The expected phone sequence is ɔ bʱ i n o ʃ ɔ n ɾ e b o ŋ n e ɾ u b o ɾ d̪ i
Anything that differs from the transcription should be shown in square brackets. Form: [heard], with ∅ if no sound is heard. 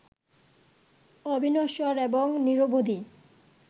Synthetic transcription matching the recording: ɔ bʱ i n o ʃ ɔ [∅] ɾ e b o ŋ n [i] ɾ [o] b o [∅] d̪ i